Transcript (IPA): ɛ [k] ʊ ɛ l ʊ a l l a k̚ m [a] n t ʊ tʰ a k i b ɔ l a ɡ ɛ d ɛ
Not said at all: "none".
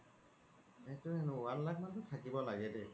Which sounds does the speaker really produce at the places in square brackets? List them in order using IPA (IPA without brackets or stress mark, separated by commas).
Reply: t, a